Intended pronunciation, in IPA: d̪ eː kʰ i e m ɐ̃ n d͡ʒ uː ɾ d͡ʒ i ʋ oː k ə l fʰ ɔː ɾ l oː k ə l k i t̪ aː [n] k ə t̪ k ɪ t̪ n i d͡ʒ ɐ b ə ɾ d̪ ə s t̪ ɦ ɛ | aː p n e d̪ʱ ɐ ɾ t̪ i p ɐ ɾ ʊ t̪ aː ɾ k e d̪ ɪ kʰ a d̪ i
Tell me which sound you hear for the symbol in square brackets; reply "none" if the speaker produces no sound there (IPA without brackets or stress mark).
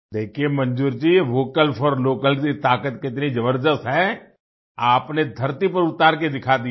none